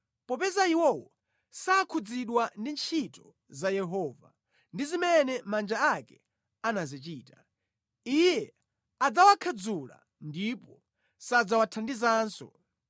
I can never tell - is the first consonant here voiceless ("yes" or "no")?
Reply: yes